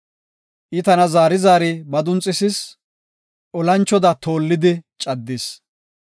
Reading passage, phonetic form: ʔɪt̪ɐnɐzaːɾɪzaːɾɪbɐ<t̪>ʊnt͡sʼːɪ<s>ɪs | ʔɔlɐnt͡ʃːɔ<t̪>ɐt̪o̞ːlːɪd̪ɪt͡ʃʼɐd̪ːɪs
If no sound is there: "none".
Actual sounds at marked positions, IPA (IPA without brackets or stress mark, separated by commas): d̪, s, d̪